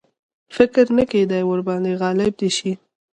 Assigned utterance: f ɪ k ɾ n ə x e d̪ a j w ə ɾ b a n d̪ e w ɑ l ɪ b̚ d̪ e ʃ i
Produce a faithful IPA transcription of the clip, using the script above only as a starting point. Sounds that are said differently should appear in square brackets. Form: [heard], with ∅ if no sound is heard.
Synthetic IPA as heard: f ɪ k ɾ n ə [k] e d̪ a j w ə ɾ b [ɑ] n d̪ e [ɣ] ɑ l ɪ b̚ d̪ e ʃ i